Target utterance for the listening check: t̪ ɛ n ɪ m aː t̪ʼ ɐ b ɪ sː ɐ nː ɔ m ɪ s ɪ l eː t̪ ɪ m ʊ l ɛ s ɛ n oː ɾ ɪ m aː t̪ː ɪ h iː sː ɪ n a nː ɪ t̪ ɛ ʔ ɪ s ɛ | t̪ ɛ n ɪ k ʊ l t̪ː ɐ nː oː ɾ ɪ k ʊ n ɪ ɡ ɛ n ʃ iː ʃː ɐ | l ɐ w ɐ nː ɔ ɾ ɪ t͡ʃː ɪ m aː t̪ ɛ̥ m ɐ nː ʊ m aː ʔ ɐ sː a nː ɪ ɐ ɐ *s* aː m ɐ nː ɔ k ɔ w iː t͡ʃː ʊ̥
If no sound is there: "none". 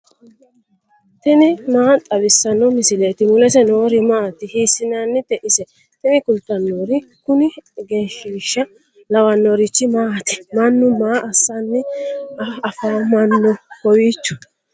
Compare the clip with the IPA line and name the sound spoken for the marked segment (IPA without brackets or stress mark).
f